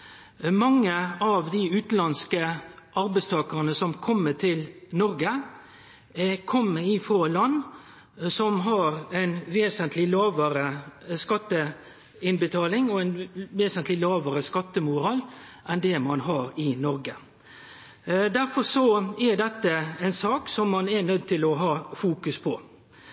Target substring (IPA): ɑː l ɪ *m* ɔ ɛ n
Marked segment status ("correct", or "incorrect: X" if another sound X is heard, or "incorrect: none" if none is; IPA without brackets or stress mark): incorrect: ŋ